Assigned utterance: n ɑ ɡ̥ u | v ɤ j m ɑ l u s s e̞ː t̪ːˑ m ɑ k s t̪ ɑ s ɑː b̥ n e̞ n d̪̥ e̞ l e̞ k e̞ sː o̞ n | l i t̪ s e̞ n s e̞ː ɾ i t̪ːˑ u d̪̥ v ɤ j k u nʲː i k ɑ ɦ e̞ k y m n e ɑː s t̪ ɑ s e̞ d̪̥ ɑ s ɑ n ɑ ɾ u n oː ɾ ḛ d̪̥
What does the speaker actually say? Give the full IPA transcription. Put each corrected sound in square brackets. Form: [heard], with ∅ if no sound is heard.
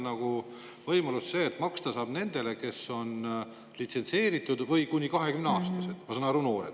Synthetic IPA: n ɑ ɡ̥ u | v ɤ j m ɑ l u s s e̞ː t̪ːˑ m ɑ k s t̪ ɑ s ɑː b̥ n e̞ n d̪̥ e̞ l e̞ k e̞ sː o̞ n | l i t̪ s e̞ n s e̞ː ɾ i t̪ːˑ u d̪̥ v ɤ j k u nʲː i k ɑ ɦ e̞ k y m n e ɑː s t̪ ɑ s e̞ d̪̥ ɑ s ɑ n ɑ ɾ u n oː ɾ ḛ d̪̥